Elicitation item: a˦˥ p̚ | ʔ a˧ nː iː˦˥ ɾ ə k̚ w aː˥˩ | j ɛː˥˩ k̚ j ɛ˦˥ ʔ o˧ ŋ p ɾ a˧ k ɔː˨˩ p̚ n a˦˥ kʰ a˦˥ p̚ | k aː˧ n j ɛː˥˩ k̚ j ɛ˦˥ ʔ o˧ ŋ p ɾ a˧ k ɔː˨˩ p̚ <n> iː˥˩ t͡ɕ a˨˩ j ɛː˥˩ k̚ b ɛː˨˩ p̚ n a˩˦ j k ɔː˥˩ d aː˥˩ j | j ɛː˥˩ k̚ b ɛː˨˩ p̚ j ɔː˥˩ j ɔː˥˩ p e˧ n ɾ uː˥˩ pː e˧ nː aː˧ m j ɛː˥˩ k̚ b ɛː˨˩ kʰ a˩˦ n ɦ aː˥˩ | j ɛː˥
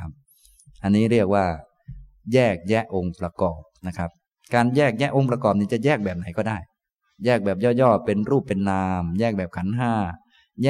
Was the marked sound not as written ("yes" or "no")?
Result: no